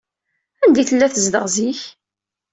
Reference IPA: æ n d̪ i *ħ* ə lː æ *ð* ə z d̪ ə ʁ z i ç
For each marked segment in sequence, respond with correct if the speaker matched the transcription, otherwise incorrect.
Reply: incorrect, incorrect

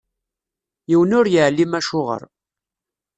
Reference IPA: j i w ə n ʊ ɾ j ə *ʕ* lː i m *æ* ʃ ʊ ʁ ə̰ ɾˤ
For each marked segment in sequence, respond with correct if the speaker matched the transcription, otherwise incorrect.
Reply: correct, correct

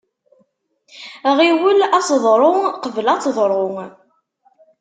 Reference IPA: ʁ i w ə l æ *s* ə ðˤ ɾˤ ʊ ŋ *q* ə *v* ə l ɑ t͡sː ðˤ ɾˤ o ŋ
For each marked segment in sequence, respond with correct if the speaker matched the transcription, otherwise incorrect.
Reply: correct, correct, correct

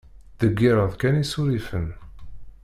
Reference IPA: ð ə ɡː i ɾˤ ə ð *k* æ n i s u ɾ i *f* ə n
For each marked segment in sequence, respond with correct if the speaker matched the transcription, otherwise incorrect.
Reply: correct, correct

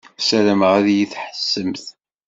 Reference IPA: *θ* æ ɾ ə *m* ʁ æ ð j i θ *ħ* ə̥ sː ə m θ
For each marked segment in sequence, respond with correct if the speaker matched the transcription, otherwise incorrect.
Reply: incorrect, correct, correct

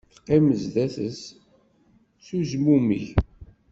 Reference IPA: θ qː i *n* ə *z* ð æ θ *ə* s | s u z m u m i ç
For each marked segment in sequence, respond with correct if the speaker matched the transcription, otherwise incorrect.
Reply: incorrect, correct, correct

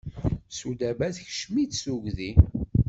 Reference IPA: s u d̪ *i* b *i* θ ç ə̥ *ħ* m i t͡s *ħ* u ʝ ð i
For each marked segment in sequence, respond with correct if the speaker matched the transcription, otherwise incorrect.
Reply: incorrect, incorrect, incorrect, incorrect

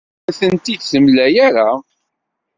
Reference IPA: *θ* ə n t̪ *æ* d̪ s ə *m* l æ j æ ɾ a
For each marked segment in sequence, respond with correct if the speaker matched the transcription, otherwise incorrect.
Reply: correct, incorrect, correct

